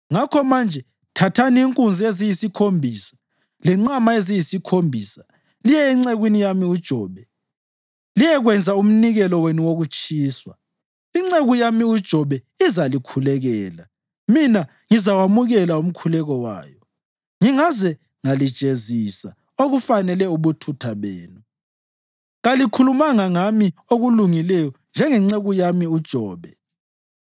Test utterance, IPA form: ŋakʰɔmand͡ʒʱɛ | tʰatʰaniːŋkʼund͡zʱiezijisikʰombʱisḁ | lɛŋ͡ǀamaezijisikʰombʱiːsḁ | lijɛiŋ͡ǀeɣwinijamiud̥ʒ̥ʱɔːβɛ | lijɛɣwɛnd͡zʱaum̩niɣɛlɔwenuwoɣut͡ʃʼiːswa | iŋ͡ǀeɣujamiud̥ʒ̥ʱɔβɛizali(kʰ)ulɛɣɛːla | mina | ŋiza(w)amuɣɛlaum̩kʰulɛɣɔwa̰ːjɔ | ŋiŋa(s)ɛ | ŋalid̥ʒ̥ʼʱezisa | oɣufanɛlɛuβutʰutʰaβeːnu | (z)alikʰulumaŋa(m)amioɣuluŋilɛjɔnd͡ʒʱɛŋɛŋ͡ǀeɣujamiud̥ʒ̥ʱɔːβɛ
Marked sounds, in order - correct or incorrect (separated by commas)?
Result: correct, correct, incorrect, incorrect, incorrect